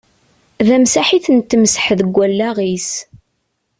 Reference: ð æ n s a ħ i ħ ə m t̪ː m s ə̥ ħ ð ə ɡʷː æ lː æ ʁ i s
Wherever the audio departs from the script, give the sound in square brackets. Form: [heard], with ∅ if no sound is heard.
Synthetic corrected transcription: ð æ [m] s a ħ i [θ] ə [n] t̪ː m s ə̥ ħ ð ə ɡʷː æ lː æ ʁ i s